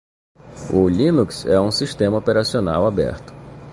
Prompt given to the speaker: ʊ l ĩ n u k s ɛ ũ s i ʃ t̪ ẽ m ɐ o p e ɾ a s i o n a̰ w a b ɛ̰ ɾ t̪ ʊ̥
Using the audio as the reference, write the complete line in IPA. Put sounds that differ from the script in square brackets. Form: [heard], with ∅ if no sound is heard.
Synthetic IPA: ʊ l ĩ n u k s ɛ ũ s i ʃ t̪ ẽ m ɐ o p e ɾ a s i o n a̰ w a b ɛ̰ ɾ t̪ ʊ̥